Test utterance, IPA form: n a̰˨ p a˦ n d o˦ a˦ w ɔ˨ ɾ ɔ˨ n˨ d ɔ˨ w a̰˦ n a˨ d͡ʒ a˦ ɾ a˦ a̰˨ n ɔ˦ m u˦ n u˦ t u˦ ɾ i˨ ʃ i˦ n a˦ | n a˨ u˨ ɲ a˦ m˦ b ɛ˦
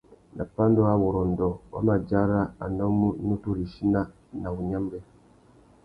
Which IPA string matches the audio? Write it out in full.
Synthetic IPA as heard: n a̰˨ p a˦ n d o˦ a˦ w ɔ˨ ɾ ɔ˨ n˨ d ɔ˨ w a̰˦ m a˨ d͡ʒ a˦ ɾ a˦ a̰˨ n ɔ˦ m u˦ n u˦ t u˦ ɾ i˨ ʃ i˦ n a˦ | n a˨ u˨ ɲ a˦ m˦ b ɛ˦

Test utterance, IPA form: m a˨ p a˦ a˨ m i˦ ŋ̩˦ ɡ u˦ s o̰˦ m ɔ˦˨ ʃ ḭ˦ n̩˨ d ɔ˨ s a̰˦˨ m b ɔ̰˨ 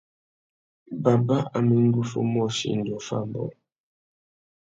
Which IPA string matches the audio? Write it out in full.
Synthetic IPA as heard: b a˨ b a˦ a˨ m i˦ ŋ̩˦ ɡ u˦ f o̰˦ m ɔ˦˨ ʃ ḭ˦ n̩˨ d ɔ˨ f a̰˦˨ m b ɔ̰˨

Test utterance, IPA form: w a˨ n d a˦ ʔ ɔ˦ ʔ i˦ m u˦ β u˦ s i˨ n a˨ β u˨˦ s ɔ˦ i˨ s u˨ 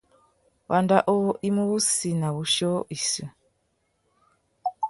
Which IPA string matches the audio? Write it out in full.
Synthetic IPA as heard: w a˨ n d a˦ ʔ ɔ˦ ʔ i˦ m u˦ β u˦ s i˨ n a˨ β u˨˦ ʃ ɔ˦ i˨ s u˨

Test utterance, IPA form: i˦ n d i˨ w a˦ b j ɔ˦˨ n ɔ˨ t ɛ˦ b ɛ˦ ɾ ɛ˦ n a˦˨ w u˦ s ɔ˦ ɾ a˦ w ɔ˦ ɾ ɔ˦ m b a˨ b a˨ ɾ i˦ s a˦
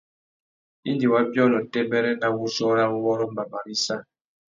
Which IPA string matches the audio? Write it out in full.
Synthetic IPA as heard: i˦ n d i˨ w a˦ b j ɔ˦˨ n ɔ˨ t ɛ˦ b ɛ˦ ɾ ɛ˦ n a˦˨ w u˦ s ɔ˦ ɾ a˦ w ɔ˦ ɾ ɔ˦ m b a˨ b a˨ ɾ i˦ s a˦

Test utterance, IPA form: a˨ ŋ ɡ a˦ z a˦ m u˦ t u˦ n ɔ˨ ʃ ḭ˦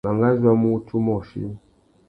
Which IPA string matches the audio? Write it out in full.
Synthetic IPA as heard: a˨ ŋ ɡ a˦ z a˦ m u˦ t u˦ m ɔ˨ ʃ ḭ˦

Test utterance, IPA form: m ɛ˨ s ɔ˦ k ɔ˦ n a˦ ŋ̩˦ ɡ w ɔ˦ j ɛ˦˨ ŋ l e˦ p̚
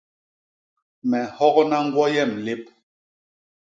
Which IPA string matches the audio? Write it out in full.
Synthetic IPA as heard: m ɛ˨ h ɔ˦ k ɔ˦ n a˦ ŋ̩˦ ɡ w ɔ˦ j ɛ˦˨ m l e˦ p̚

